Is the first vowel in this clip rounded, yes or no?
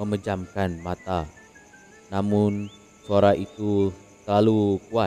no